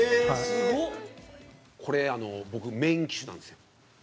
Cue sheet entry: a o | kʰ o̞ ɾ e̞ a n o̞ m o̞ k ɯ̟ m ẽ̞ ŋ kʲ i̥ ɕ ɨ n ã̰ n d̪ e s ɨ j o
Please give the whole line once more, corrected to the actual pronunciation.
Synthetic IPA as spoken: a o | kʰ o̞ ɾ e̞ a n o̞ b o̞ k ɯ̟ m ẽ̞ ŋ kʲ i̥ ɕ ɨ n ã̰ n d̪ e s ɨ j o

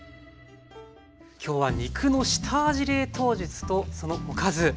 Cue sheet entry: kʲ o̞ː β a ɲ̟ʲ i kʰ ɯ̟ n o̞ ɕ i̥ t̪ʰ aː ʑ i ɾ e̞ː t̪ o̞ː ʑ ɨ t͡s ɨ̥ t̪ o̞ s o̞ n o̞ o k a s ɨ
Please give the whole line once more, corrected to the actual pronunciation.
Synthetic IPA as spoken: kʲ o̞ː β a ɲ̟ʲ i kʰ ɯ̟ n o̞ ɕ i̥ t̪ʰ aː ʑ i ɾ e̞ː t̪ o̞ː ʑ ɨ t͡s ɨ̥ t̪ o̞ s o̞ n o̞ o k a z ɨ

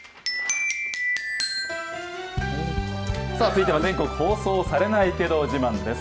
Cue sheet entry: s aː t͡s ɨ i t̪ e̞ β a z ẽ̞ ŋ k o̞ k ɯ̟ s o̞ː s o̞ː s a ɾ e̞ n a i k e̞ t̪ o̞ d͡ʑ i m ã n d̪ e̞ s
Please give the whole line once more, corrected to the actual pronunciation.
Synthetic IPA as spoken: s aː t͡s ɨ i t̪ e̞ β a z ẽ̞ ŋ k o̞ k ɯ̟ h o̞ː s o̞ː s a ɾ e̞ n a i k e̞ d̪ o̞ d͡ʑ i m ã n d̪ e̞ s

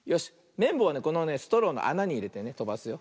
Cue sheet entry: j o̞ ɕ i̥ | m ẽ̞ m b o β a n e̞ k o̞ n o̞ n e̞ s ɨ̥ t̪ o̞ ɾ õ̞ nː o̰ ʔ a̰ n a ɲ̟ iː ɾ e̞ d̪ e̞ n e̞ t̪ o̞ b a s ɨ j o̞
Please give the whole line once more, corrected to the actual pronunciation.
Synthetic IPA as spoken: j o̞ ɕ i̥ | m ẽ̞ m b o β a n e̞ k o̞ n o̞ n e̞ s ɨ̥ t̪ o̞ ɾ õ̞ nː o̰ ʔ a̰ n a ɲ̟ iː ɾ e̞ t̪ e̞ n e̞ t̪ o̞ b a s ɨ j o̞

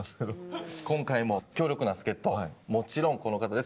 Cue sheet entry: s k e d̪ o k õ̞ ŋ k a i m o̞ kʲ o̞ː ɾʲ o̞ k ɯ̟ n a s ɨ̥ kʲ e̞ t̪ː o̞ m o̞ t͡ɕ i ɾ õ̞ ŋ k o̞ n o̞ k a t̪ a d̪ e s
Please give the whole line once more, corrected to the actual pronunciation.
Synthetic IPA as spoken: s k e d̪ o k õ̞ ŋ k a i m o̞ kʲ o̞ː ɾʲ o̞ k ɯ̟ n a s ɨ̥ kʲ e̞ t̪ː o̞ m o̞ t͡ɕ i ɾ õ̞ ŋ k o̞ n o̞ k a t̪ a d̪ e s

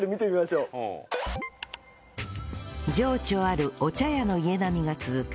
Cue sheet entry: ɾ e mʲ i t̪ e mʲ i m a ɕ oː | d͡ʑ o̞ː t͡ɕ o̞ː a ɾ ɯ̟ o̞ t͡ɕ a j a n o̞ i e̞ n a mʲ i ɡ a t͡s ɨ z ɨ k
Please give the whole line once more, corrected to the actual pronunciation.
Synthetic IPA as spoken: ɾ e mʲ i t̪ e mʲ i m a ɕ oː | d͡ʑ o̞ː t͡ɕ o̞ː a ɾ ɯ̟ o̞ t͡ɕ a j a n o̞ i e̞ n a mʲ i ɡ a t͡s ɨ z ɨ k

